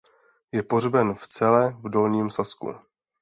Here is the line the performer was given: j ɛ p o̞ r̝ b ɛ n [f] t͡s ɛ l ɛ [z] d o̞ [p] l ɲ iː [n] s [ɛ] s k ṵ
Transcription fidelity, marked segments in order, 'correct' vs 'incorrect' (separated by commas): correct, incorrect, incorrect, incorrect, incorrect